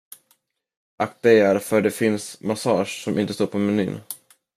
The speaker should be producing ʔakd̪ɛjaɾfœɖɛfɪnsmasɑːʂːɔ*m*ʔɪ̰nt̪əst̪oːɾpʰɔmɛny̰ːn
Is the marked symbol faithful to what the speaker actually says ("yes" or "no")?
yes